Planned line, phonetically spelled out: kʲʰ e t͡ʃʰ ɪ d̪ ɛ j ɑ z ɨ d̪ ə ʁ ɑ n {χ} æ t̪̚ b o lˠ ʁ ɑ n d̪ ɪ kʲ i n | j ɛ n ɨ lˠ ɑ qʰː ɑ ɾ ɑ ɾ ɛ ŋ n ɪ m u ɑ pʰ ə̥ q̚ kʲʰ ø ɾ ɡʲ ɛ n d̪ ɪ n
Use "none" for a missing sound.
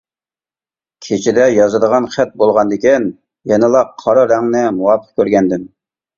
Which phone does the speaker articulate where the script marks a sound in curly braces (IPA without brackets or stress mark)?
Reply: χ